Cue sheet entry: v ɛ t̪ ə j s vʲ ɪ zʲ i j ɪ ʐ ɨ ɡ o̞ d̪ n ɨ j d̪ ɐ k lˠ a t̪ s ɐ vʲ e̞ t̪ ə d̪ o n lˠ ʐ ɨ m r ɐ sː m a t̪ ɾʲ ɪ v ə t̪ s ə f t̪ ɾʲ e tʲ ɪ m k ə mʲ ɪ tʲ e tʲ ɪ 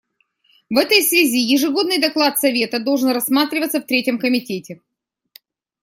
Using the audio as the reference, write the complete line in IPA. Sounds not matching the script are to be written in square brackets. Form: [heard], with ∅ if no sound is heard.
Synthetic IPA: v ɛ t̪ ə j s vʲ ɪ zʲ i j ɪ ʐ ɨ ɡ o̞ d̪ n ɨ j d̪ ɐ k lˠ a t̪ s ɐ vʲ e̞ t̪ ə d̪ o [∅] lˠ ʐ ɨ [n] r ɐ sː m a t̪ ɾʲ ɪ v ə t̪ s ə f t̪ ɾʲ e tʲ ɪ m k ə mʲ ɪ tʲ e tʲ ɪ